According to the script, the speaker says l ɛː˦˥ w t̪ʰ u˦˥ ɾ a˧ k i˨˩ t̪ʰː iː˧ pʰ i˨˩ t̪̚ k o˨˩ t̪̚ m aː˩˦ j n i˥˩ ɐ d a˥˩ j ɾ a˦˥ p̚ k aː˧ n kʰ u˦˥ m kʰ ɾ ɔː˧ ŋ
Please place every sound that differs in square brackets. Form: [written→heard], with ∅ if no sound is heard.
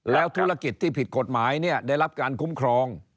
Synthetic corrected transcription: l ɛː˦˥ w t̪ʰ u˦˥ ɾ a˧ k i˨˩ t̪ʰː [iː˧→iː˥˩] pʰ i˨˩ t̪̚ k o˨˩ t̪̚ m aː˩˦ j n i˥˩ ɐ d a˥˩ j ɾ a˦˥ p̚ k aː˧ n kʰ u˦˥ m kʰ ɾ ɔː˧ ŋ